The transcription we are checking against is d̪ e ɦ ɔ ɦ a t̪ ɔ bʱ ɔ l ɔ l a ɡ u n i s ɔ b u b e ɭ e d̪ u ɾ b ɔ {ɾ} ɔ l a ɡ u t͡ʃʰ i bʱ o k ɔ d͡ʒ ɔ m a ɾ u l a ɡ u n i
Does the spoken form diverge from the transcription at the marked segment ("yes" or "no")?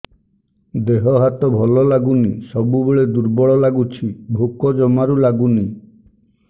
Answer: yes